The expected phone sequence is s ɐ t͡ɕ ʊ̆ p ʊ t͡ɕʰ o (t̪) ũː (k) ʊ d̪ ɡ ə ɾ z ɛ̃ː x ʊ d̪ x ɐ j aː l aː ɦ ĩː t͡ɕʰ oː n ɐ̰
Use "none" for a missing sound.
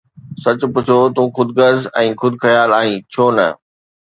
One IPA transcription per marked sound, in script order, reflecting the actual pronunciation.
t̪, x

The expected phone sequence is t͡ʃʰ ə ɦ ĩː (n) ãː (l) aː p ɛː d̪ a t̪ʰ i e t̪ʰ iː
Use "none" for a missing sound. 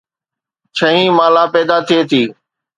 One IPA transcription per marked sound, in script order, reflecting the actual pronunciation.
m, l

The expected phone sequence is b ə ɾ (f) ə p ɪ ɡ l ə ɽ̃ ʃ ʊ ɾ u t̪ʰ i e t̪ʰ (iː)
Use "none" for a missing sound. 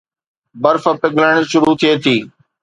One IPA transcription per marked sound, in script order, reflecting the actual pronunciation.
f, iː

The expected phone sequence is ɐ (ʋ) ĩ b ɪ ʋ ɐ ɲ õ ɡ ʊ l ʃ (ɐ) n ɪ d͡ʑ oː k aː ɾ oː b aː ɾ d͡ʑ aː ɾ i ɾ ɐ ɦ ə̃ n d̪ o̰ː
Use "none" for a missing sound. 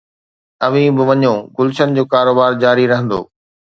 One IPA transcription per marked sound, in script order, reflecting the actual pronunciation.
ʋ, ə

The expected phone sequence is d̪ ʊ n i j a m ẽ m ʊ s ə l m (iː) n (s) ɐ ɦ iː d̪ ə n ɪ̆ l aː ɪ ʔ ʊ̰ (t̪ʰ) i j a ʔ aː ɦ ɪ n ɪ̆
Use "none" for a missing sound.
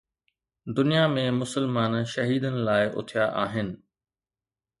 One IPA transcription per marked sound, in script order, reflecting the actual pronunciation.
aː, ʃ, t̪ʰ

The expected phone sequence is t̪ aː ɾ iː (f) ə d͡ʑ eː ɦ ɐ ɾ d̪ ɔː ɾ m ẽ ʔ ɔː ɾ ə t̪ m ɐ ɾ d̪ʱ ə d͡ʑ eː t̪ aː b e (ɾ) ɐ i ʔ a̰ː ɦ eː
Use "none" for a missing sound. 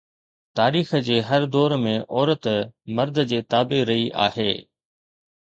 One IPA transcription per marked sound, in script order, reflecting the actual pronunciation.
x, ɾ

